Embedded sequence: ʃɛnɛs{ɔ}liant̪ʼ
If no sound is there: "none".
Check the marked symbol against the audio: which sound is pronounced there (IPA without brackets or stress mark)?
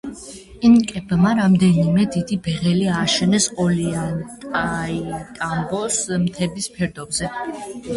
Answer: ɔ